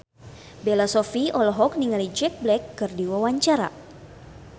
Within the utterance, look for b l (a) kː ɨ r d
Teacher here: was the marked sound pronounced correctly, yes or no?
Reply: no